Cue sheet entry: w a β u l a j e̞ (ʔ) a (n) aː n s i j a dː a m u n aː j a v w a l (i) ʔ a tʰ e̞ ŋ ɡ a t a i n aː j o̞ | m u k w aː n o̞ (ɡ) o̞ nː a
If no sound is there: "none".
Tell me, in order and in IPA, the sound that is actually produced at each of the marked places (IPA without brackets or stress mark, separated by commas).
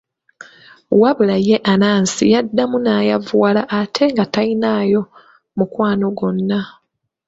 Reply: ʔ, n, a, ɡ